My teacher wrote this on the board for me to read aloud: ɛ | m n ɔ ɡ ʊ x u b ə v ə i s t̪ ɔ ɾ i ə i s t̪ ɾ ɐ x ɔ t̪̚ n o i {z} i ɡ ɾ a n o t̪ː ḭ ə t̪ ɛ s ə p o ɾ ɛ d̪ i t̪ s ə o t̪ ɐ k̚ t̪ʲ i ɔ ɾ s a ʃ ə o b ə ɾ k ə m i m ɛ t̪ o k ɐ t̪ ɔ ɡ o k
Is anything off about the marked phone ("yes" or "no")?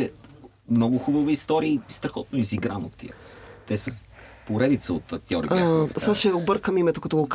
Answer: no